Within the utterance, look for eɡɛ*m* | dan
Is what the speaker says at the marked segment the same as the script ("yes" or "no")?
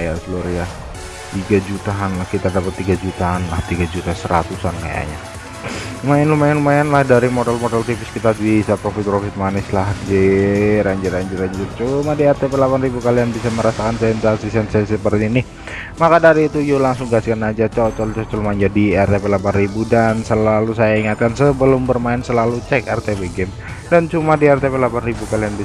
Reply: yes